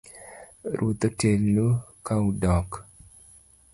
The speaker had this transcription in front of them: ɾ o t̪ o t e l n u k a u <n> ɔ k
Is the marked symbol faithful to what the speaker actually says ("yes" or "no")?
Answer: no